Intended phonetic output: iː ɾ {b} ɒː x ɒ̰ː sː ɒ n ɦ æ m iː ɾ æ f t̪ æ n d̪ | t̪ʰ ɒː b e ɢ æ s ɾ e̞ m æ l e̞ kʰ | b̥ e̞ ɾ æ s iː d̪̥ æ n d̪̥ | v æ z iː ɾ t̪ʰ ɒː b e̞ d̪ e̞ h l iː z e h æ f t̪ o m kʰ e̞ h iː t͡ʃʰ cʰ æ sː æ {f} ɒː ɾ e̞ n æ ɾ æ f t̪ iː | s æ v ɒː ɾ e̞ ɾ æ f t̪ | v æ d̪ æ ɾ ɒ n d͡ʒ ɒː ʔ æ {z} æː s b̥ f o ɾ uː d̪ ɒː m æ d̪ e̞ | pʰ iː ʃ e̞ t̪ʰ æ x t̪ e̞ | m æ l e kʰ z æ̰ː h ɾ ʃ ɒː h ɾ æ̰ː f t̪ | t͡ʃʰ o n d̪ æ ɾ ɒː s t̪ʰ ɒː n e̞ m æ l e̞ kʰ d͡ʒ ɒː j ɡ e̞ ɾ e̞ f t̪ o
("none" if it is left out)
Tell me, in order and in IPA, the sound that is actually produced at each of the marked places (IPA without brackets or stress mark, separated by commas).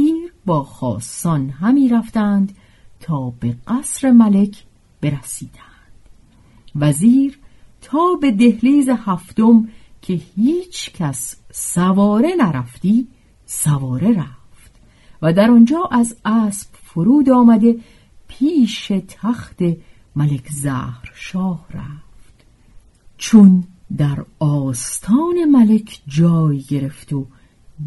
b, v, z